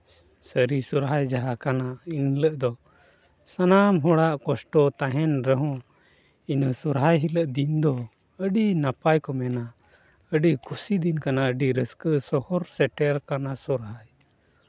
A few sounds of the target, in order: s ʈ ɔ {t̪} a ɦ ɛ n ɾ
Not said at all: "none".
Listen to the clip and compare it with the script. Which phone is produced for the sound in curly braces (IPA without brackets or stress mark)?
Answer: t̪